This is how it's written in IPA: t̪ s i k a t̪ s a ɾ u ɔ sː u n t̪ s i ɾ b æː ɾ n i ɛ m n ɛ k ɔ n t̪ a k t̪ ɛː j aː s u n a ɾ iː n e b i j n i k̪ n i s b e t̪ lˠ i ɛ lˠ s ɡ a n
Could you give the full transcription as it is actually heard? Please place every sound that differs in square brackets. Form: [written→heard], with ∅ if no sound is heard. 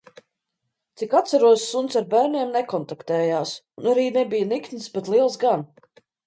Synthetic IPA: t̪ s i k a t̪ s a ɾ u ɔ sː u n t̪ s [i→a] ɾ b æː ɾ n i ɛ m n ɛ k ɔ n t̪ a k t̪ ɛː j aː s u n a ɾ iː n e b i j n i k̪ n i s b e t̪ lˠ i ɛ lˠ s ɡ a n